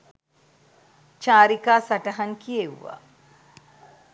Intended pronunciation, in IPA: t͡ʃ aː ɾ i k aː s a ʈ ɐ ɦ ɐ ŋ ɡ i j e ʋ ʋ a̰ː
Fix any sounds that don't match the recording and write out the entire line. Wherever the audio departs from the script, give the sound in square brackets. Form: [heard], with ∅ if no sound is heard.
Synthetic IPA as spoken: t͡ʃ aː ɾ i k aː s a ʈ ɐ ɦ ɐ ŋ [k] i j e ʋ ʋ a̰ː